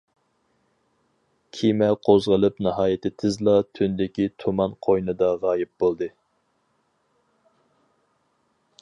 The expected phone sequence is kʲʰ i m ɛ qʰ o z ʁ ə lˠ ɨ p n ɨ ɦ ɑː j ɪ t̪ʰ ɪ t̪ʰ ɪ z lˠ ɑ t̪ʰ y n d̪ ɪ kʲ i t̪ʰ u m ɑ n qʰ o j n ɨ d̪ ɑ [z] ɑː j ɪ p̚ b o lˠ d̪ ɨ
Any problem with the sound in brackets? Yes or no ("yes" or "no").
yes